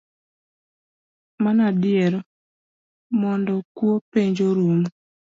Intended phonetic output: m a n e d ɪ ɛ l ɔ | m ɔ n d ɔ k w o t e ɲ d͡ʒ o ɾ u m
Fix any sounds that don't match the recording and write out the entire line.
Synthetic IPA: m a n a d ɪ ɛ ɾ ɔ | m ɔ n d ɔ k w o p e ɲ d͡ʒ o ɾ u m